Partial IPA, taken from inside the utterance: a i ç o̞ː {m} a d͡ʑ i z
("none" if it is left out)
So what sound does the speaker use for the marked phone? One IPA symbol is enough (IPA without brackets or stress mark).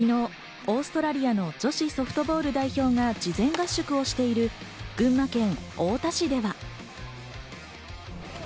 ŋ